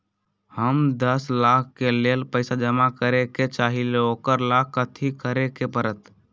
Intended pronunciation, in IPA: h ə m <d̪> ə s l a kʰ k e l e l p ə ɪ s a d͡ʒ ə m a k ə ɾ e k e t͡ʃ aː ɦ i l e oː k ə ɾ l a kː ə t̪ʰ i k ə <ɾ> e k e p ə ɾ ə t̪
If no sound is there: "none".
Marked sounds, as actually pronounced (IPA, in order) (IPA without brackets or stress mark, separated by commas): d̪, ɾ